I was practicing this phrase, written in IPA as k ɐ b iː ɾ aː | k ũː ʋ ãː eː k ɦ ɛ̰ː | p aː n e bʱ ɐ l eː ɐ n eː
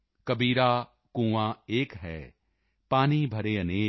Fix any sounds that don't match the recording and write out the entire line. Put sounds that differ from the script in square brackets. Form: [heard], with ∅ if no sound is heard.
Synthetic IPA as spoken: k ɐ b iː ɾ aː | k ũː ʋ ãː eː k ɦ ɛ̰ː | p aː n [i] bʱ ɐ [ɾ] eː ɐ n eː